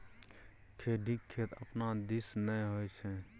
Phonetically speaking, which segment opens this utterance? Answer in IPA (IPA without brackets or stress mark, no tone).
kʰ